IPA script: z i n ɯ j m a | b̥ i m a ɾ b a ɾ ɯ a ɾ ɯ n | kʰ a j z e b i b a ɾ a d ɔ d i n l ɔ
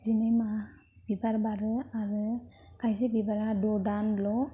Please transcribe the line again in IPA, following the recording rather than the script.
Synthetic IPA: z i n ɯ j m a | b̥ i b a ɾ b a ɾ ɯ a ɾ ɯ | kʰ a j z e b i b a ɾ a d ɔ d a n l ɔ